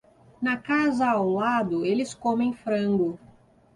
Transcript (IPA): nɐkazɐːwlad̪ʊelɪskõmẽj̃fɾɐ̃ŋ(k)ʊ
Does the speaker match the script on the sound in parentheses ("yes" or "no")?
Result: no